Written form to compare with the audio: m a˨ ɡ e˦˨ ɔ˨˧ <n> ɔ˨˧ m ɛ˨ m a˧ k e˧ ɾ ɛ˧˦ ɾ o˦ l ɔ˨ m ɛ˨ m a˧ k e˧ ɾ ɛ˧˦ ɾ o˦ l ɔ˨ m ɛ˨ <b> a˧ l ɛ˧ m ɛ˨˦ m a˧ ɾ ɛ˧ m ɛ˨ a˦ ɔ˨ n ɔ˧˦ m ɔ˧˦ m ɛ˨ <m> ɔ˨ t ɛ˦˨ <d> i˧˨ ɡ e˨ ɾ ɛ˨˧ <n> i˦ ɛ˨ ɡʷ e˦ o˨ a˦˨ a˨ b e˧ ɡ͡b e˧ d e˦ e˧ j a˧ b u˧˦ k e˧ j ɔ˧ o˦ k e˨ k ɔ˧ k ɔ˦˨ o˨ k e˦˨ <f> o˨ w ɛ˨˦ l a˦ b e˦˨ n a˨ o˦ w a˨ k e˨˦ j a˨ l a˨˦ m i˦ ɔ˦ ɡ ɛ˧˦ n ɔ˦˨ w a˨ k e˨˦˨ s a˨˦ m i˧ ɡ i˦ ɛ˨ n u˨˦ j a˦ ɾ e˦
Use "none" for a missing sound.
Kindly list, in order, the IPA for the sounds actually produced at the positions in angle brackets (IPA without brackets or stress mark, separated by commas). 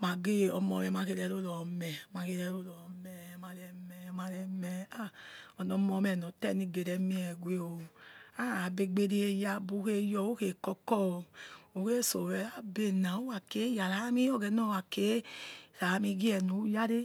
m, m, n, n, m, s